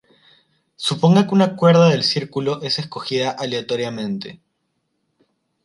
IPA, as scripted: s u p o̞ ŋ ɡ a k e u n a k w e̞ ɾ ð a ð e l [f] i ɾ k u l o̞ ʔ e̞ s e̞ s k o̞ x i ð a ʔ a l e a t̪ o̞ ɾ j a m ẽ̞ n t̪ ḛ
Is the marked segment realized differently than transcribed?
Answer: yes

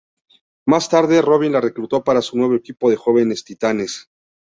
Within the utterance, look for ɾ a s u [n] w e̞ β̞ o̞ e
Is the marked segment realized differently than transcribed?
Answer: no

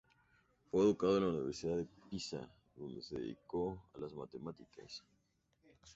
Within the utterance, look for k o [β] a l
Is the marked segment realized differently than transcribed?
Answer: yes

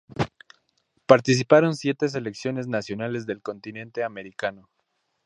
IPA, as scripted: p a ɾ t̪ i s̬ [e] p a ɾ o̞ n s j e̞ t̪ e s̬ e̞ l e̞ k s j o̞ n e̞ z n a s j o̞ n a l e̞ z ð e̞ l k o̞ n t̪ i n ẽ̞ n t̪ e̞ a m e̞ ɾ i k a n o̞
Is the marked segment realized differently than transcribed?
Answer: yes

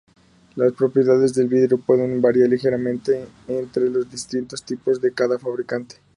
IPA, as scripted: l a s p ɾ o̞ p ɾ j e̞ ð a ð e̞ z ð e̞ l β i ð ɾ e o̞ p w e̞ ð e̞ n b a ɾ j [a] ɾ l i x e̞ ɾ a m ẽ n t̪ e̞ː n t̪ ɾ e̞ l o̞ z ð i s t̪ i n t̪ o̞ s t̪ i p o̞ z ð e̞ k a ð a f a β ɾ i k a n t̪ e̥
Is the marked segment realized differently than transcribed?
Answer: no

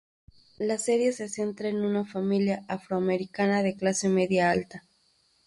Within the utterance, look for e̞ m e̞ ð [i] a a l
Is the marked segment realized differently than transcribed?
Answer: yes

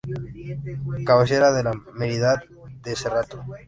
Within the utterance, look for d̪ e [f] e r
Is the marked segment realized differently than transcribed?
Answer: yes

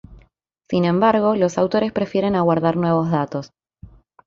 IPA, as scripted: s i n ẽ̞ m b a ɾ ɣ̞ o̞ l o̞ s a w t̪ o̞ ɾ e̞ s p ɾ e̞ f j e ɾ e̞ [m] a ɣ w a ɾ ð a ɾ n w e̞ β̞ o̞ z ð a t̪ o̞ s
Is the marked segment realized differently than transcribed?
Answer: yes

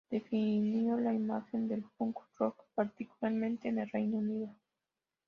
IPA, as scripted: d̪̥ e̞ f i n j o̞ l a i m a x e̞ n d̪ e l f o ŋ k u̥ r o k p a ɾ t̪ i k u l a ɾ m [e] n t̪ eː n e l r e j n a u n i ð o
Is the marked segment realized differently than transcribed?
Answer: yes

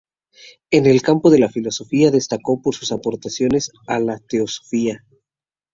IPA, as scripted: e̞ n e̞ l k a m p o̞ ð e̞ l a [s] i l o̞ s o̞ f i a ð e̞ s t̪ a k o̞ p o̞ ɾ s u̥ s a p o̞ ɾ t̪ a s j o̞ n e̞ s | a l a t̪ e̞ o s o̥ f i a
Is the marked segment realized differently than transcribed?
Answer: yes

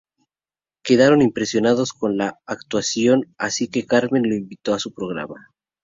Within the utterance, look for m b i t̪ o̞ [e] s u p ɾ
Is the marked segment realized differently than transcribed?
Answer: yes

